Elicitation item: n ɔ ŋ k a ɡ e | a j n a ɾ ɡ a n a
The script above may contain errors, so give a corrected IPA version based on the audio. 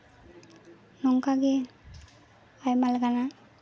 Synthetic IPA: n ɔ ŋ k a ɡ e | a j m a l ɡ a n a